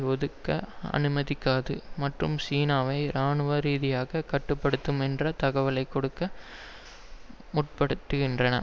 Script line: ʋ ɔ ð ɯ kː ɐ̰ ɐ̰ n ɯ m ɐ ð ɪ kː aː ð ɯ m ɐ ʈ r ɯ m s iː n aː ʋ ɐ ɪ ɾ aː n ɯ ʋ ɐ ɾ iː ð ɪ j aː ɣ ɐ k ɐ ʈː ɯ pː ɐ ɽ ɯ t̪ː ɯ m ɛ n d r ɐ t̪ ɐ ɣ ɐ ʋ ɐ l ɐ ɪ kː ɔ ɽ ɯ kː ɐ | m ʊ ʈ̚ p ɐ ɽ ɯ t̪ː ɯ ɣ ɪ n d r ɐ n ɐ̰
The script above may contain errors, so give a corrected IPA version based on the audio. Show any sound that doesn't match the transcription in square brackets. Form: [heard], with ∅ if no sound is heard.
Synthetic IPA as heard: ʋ ɔ ð ɯ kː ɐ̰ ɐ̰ n ɯ m ɐ ð ɪ kː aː ð ɯ m ɐ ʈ r ɯ m s iː n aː ʋ ɐ ɪ ɾ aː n ɯ ʋ ɐ ɾ iː ð ɪ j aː ɣ ɐ k ɐ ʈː ɯ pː ɐ ɽ ɯ t̪ː ɯ m ɛ n d r ɐ t̪ ɐ ɣ ɐ ʋ ɐ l ɐ ɪ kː ɔ ɽ ɯ kː ɐ | m ʊ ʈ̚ p ɐ ɽ ɯ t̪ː ɯ ɣ ɪ n d r ɐ n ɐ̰